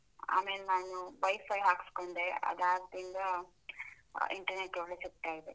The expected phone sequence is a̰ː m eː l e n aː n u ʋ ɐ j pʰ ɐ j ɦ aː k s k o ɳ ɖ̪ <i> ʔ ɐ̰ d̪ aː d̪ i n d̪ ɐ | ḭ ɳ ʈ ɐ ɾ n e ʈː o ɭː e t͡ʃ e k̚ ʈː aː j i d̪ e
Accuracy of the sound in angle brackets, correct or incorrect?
incorrect